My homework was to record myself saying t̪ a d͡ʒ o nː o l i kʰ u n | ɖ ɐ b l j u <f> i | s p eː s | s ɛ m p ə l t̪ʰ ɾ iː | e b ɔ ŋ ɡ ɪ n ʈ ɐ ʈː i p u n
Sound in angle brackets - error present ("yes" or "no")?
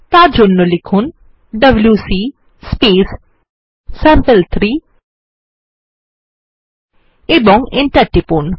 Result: yes